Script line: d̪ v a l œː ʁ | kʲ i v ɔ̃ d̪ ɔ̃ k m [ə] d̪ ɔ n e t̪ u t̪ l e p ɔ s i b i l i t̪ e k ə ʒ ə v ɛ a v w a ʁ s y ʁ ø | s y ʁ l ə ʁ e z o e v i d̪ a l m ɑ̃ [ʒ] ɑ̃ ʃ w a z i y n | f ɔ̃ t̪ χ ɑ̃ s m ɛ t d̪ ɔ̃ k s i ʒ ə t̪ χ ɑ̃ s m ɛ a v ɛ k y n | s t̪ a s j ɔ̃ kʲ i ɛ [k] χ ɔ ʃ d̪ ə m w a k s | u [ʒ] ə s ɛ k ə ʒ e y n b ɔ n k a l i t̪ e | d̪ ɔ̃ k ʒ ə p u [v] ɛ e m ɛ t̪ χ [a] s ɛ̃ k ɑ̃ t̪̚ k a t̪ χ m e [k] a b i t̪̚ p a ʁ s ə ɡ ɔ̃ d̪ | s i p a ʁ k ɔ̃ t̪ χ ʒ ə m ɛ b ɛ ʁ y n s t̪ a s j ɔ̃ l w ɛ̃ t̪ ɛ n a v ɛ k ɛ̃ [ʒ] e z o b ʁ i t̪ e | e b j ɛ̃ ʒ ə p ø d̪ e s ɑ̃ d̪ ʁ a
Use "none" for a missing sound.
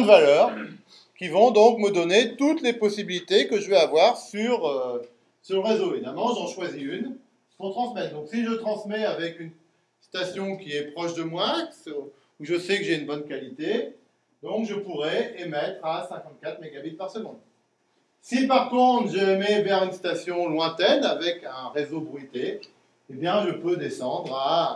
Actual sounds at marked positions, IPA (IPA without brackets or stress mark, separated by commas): ə, ʒ, p, ʒ, ʁ, a, ɡ, ʁ